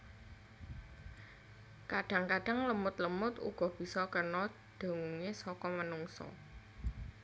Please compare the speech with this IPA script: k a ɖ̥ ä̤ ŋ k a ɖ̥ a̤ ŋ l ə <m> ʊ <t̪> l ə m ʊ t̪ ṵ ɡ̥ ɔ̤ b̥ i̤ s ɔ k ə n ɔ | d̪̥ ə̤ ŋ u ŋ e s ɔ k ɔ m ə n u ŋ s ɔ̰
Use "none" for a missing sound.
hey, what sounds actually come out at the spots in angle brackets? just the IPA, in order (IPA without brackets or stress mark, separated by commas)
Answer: m, t̪